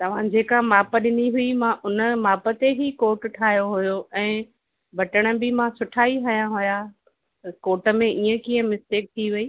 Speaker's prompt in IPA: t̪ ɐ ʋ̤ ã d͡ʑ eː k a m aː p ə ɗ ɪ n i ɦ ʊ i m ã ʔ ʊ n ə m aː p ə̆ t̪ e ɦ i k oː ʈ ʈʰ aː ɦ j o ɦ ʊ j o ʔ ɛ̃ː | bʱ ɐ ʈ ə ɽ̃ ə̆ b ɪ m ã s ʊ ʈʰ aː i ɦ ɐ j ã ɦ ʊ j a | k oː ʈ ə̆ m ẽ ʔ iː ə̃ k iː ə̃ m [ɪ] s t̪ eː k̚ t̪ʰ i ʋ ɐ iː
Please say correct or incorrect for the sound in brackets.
correct